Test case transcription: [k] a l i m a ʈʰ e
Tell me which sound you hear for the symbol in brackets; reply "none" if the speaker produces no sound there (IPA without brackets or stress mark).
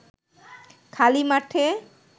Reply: kʰ